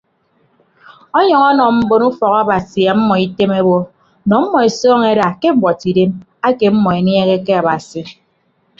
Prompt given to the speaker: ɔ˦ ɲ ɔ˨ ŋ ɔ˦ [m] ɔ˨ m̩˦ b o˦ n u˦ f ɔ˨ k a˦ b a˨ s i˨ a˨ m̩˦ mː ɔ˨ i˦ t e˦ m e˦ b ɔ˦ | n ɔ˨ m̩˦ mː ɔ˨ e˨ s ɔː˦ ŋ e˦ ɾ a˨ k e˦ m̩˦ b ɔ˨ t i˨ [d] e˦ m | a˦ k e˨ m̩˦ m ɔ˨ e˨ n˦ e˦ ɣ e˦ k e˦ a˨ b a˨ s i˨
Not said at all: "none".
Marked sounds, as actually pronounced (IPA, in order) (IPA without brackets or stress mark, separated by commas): n, d